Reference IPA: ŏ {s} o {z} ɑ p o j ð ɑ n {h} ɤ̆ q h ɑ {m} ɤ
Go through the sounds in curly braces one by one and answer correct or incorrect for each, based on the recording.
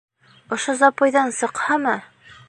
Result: incorrect: ʃ, correct, incorrect: s, correct

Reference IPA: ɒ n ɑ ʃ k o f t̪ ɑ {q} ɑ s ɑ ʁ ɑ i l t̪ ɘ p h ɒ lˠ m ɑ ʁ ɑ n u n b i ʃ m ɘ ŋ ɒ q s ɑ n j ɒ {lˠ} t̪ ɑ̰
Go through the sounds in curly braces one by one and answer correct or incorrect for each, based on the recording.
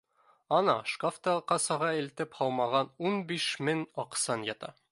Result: correct, incorrect: none

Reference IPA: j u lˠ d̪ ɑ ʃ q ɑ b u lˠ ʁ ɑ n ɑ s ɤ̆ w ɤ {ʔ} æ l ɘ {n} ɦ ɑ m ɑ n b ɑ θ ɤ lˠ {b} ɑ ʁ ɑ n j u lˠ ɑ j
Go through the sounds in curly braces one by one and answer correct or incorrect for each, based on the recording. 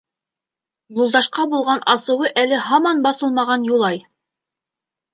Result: correct, incorrect: none, incorrect: m

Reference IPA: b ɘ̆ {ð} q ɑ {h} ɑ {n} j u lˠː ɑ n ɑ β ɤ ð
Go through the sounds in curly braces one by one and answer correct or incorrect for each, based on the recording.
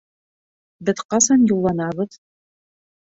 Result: correct, incorrect: s, correct

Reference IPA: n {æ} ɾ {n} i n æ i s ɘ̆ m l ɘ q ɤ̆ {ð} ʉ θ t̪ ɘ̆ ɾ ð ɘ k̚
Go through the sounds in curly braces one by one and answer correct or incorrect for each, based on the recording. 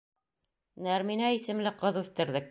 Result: correct, incorrect: m, correct

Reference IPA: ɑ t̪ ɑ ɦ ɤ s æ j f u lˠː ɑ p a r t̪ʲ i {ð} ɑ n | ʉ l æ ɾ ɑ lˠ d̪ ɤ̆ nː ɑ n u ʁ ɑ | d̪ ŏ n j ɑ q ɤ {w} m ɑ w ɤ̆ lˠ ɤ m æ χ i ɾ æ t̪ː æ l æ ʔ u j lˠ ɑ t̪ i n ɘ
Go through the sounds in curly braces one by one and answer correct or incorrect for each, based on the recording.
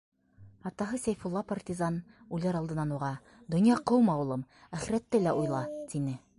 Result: incorrect: z, correct

